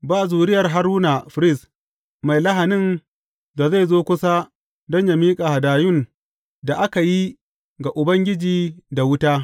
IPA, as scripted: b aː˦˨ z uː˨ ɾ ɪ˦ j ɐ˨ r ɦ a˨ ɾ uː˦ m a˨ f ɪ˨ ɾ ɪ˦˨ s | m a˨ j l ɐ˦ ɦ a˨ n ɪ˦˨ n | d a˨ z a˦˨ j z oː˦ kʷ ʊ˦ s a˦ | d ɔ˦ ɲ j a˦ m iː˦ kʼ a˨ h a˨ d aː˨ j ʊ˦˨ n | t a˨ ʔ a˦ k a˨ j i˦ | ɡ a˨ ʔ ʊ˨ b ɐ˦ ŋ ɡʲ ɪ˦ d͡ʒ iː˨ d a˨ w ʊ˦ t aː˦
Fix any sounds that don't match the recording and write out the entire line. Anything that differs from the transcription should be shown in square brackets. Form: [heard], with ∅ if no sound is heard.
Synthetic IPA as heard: b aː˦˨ z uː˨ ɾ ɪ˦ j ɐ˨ r ɦ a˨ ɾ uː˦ [n] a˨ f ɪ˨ ɾ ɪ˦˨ s | m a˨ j l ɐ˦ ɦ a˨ n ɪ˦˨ n | d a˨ z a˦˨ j z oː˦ kʷ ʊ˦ s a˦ | d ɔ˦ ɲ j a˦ m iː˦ kʼ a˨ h a˨ d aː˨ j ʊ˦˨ n | [d] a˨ ʔ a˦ k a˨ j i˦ | ɡ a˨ ʔ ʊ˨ b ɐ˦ ŋ ɡʲ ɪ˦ d͡ʒ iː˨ d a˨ w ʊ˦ t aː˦